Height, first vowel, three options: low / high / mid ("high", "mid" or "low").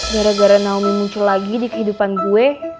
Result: low